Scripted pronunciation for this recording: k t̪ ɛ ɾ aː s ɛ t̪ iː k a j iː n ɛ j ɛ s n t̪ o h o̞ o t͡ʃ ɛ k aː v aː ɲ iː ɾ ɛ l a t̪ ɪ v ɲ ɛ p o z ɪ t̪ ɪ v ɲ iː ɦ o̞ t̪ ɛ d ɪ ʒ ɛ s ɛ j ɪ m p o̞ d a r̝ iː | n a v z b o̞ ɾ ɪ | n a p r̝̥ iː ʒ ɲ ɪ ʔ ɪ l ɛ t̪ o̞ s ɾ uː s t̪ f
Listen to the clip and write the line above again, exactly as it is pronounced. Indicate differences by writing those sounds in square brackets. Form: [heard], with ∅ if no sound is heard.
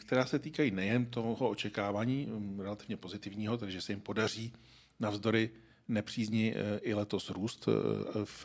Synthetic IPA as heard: k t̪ ɛ ɾ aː s ɛ t̪ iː k a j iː n ɛ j ɛ [∅] n t̪ o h o̞ o t͡ʃ ɛ k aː v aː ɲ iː ɾ ɛ l a t̪ ɪ v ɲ ɛ p o z ɪ t̪ ɪ v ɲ iː ɦ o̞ t̪ ɛ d ɪ ʒ ɛ s ɛ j ɪ m p o̞ d a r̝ iː | n a v z [d] o̞ ɾ ɪ | n [ɛ] p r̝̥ iː [z] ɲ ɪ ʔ ɪ l ɛ t̪ o̞ s ɾ uː s t̪ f